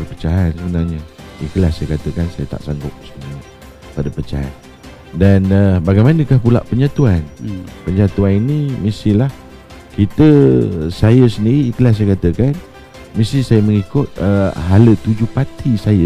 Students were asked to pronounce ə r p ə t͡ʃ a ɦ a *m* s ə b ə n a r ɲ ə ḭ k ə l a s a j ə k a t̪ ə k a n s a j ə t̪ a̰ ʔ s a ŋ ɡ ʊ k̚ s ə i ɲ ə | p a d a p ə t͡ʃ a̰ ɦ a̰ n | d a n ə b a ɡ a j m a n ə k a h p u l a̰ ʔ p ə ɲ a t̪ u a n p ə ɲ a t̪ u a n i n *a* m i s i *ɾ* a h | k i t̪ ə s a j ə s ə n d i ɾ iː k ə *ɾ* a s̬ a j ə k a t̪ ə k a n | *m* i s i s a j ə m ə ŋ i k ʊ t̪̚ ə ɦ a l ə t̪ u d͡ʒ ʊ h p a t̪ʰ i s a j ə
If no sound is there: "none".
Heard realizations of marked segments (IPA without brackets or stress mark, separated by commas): n, i, l, l, m